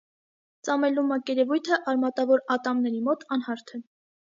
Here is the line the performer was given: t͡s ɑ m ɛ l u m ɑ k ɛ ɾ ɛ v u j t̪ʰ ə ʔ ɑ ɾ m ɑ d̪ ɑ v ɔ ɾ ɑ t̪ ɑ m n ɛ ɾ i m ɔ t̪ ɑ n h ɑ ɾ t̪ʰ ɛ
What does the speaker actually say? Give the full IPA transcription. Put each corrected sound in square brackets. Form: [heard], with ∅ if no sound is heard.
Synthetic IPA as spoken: t͡s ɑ m ɛ l u m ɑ k ɛ ɾ ɛ v u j t̪ʰ ə ʔ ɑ ɾ m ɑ [t̪] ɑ v ɔ ɾ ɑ t̪ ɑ m n ɛ ɾ i m ɔ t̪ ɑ n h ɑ ɾ t̪ʰ ɛ